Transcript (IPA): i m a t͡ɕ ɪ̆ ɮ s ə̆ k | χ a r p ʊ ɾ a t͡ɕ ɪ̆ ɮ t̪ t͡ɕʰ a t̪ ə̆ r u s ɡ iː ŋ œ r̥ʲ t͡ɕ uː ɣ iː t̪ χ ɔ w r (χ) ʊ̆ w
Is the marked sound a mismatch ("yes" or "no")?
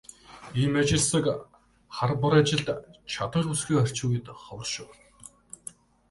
yes